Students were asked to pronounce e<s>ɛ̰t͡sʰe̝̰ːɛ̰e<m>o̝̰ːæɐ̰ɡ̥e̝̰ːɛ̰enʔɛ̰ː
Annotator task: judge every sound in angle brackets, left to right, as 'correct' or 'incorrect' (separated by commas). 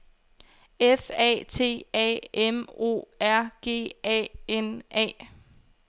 incorrect, correct